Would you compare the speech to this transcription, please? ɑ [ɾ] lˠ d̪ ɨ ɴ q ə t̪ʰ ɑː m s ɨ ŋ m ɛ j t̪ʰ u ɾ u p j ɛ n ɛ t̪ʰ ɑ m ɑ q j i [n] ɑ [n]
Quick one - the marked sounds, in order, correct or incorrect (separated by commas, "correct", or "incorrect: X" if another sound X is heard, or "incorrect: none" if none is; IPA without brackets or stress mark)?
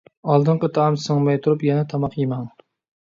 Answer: incorrect: none, incorrect: m, incorrect: ŋ